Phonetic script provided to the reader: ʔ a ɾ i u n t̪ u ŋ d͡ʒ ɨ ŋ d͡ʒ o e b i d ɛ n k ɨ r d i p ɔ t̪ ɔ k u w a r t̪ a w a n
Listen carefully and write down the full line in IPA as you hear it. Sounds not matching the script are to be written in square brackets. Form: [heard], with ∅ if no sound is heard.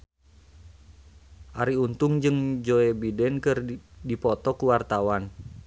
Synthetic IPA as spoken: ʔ a ɾ i u n t̪ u ŋ d͡ʒ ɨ ŋ d͡ʒ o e b i d ɛ n k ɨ r d i p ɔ t̪ ɔ k u w a r t̪ a w a n